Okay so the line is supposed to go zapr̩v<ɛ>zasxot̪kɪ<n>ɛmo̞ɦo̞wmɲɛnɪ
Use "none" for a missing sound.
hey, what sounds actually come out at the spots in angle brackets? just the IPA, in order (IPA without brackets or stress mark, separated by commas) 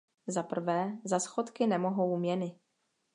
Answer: ɛː, n